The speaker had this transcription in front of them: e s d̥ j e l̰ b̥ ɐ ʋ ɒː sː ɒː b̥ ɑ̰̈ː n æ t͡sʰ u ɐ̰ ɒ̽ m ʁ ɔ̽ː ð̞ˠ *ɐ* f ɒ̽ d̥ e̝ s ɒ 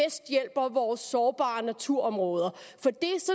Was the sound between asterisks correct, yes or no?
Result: yes